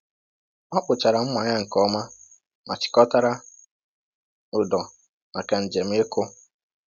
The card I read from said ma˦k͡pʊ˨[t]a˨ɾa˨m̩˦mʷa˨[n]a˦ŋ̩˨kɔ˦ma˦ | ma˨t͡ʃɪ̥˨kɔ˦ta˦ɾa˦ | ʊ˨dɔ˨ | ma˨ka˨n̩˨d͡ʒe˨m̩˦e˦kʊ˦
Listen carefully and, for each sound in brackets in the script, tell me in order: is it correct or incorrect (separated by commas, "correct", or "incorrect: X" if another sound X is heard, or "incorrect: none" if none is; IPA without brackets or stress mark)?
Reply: incorrect: t͡ʃ, incorrect: ɲ